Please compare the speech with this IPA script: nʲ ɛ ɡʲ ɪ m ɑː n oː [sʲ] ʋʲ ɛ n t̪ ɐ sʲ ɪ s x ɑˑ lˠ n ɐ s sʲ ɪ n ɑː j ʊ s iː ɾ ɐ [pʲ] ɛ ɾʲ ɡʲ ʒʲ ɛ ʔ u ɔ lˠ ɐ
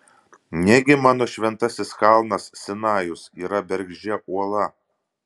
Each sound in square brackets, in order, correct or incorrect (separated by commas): incorrect, incorrect